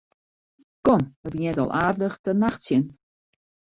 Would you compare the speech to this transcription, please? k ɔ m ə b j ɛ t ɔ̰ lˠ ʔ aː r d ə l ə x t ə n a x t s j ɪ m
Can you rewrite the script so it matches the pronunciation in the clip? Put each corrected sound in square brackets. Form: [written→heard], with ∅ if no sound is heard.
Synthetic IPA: k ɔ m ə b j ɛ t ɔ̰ lˠ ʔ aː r d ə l ə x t ə n a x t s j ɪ [m→n]